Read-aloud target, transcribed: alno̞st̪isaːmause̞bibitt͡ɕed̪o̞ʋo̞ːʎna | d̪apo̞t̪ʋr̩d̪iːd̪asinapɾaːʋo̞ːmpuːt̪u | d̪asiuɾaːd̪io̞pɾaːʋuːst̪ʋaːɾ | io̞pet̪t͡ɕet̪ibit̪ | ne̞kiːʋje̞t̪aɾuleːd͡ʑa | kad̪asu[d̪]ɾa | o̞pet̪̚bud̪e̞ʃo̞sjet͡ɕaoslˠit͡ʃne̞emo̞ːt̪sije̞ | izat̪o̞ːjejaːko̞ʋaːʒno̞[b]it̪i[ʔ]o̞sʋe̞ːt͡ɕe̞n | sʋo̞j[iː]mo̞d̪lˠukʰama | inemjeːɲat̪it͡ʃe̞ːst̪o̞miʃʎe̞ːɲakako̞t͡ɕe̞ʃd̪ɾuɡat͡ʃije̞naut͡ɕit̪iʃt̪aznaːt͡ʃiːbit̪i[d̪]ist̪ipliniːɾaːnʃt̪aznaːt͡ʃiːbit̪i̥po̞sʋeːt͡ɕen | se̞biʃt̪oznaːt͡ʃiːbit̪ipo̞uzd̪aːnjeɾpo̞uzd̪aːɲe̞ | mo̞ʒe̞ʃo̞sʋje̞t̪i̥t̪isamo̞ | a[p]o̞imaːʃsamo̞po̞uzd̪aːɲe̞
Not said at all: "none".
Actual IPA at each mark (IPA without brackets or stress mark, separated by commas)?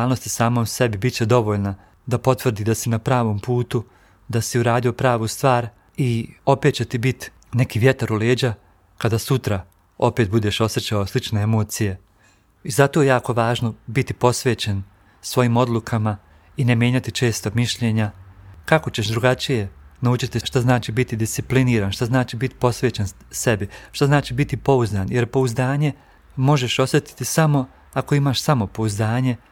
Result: t̪, b, p, iː, d̪, k